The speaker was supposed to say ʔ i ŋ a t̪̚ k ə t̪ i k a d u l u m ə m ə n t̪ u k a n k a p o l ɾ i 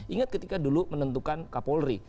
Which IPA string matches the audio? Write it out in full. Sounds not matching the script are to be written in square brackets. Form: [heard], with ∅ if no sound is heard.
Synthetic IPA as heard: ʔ i ŋ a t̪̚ k ə t̪ i k a d u l u m ə [n] ə n t̪ u k a n k a p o l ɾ i